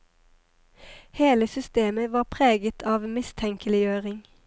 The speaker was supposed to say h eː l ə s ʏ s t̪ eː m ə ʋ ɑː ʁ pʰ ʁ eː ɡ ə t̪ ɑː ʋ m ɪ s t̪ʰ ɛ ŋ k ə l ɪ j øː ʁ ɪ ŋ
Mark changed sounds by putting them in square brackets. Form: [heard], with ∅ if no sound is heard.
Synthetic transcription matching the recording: h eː l ə s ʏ s t̪ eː m ə ʋ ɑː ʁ pʰ ʁ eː ɡ ə [t̪ʰ] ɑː ʋ m ɪ s t̪ʰ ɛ ŋ k ə l ɪ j øː ʁ ɪ ŋ